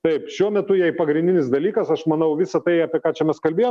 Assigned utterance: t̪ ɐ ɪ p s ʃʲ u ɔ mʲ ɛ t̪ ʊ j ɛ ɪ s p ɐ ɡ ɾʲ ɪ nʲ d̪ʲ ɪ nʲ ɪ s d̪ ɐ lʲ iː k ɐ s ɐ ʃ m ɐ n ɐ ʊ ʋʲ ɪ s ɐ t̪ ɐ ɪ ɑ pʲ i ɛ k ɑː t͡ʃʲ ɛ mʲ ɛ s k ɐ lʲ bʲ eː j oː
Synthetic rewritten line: t̪ ɐ ɪ p ʃ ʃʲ u ɔ mʲ ɛ t̪ ʊ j ɛ ɪ p ɐ ɡ ɾʲ ɪ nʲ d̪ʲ ɪ nʲ ɪ s d̪ ɐ lʲ iː k ɐ s ɐ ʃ m ɐ n ɐ ʊ ʋʲ ɪ s ɐ t̪ ɐ ɪ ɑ pʲ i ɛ k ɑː t͡ʃʲ ɛ mʲ ɛ s k ɐ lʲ bʲ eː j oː